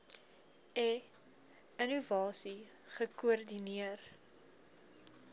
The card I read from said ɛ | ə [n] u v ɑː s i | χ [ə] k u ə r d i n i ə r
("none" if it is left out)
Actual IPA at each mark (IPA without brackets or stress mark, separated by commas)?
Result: n, ə